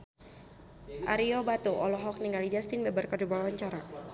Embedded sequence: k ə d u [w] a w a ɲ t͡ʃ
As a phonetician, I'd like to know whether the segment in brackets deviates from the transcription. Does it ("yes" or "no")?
yes